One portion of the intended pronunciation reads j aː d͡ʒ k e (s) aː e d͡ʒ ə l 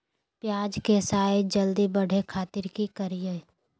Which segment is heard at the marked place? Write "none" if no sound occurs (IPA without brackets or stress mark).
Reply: s